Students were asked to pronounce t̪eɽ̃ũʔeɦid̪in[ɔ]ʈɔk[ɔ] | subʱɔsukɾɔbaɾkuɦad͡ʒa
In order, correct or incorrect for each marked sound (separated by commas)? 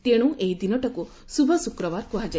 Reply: correct, incorrect